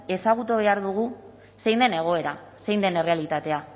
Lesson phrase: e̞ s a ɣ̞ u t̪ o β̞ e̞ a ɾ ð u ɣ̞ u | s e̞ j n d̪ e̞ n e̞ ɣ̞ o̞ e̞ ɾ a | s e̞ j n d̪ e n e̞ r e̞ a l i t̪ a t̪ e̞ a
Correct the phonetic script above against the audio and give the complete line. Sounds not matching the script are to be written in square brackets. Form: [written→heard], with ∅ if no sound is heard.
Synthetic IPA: e̞ s a ɣ̞ u t̪ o β̞ e̞ a ɾ ð u ɣ̞ u | s e̞ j n d̪ e̞ n e̞ ɣ̞ o̞ e̞ ɾ a | s e̞ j n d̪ e n e̞ r e̞ a l i t̪ a t̪ e̞ a